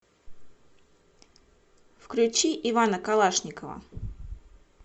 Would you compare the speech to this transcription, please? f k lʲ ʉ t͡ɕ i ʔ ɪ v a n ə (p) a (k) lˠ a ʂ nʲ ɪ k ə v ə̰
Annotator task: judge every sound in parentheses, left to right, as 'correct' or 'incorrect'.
incorrect: k, incorrect: none

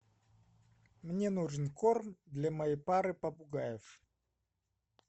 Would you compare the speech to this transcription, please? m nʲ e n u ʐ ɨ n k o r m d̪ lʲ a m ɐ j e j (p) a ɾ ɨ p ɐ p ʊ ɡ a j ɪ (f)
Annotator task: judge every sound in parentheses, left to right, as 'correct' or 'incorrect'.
correct, correct

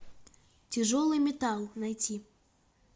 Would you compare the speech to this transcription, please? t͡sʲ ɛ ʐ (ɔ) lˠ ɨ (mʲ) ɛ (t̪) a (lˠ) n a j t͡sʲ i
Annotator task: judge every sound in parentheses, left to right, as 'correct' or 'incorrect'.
correct, correct, correct, correct

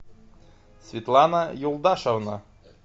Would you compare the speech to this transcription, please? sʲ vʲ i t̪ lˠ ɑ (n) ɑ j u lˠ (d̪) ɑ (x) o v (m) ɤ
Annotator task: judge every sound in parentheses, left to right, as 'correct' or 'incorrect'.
correct, correct, incorrect: ʃ, incorrect: n

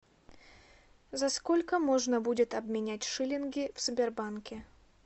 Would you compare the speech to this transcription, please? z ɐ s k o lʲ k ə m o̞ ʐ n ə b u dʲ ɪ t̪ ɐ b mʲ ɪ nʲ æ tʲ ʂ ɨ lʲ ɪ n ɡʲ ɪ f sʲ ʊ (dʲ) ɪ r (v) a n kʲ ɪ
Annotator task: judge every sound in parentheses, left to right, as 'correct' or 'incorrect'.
incorrect: bʲ, incorrect: b

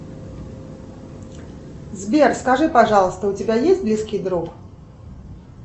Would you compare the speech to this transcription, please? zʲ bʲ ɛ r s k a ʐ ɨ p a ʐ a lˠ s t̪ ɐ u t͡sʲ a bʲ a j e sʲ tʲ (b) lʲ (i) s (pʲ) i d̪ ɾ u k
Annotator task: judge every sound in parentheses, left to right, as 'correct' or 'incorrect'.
correct, correct, incorrect: kʲ

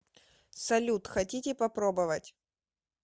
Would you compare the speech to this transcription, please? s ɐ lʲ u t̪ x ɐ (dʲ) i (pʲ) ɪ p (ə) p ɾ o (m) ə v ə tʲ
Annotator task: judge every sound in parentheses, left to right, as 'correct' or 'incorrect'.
incorrect: tʲ, incorrect: tʲ, incorrect: ɐ, incorrect: b

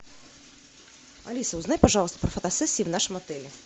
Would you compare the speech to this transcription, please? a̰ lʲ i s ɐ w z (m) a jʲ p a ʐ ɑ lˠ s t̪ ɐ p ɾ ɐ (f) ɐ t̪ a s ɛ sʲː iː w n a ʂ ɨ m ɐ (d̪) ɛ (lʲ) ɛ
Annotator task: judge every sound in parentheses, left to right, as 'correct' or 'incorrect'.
incorrect: n, correct, incorrect: t̪, correct

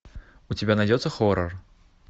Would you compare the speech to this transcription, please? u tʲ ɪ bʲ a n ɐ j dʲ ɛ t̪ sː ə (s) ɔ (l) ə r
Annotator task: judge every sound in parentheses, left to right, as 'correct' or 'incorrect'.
incorrect: x, incorrect: ɾ

